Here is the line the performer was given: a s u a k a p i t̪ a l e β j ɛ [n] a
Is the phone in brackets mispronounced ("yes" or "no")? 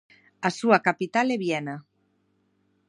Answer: no